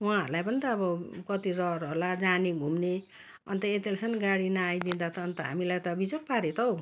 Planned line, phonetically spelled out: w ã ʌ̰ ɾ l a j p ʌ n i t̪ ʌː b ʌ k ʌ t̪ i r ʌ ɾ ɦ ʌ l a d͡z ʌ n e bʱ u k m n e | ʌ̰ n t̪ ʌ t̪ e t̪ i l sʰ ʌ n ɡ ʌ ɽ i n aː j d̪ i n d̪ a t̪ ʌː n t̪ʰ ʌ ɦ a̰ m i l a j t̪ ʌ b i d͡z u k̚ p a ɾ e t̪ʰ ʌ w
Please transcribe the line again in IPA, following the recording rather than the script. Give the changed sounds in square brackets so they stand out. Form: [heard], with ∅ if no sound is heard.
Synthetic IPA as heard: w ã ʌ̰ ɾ l a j p ʌ n i t̪ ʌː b ʌ k ʌ t̪ i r ʌ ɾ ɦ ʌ l a d͡z [a] n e [ɡʱ] u [∅] m n e | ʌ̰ n t̪ ʌ [∅] e t̪ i l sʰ ʌ n ɡ [a] ɽ i n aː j d̪ i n d̪ a t̪ ʌː n [t̪] ʌ ɦ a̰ m i l a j t̪ ʌ b i d͡z [o] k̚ p a ɾ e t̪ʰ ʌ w